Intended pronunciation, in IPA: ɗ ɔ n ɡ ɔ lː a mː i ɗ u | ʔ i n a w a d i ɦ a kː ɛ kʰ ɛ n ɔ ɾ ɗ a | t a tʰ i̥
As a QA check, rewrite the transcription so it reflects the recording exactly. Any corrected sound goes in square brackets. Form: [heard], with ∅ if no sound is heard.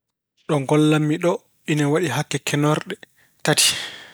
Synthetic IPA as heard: ɗ ɔ [ŋ] ɡ ɔ lː a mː i ɗ [ɔ] | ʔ i n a w a [ɗ] i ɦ a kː ɛ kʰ ɛ n ɔ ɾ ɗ [ɛ] | t a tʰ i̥